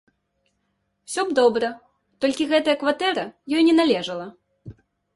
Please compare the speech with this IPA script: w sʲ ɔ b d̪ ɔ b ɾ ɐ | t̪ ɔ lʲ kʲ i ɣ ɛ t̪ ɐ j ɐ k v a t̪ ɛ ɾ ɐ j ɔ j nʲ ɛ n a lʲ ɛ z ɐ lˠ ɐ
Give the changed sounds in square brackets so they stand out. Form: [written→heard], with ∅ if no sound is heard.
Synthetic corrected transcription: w sʲ ɔ b d̪ ɔ b ɾ ɐ | t̪ ɔ lʲ kʲ i ɣ ɛ t̪ ɐ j ɐ k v a t̪ ɛ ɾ ɐ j ɔ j nʲ ɛ n a lʲ ɛ [z→ʐ] ɐ lˠ ɐ